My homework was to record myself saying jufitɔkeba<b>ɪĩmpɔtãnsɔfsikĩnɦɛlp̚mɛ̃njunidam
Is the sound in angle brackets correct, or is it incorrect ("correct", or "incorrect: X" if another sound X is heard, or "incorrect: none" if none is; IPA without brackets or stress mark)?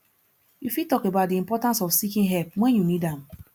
incorrect: d